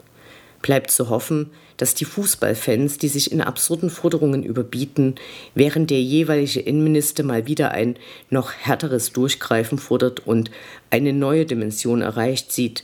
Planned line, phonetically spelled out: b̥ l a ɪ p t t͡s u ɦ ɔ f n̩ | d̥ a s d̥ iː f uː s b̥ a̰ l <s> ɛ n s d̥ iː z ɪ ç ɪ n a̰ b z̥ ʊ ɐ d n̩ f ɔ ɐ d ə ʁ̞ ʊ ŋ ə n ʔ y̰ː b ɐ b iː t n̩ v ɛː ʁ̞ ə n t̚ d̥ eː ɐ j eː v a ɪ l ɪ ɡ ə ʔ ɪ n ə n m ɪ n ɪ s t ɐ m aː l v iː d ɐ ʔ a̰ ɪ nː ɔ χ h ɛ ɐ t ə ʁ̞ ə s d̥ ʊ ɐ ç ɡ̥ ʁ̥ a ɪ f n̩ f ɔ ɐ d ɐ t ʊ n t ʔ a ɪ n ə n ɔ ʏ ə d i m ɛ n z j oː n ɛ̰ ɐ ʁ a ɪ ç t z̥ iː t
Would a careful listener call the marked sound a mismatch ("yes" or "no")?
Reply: yes